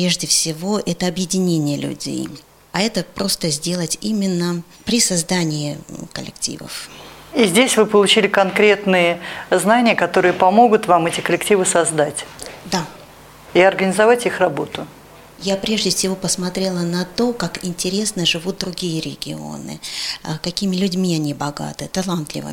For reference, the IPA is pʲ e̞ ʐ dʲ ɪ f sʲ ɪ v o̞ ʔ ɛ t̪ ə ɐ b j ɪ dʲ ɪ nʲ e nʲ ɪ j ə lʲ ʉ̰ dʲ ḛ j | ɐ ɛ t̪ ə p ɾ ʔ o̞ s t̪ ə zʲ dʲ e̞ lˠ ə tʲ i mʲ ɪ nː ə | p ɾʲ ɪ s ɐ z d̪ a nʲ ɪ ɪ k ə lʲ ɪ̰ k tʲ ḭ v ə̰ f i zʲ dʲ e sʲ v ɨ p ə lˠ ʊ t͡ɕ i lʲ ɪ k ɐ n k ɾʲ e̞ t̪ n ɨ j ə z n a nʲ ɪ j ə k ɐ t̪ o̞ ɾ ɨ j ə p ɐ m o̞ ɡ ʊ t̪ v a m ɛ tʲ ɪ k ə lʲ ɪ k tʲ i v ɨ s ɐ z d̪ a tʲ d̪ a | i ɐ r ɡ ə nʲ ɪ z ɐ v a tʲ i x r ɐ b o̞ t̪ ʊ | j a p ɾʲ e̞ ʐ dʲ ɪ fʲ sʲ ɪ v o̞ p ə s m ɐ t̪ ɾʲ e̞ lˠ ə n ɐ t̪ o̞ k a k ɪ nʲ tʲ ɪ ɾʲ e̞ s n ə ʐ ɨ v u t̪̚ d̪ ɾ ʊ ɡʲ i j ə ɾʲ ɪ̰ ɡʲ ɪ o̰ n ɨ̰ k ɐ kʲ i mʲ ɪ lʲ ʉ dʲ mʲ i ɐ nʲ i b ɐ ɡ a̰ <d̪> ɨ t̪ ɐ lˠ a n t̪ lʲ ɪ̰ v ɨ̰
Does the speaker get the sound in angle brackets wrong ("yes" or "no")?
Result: yes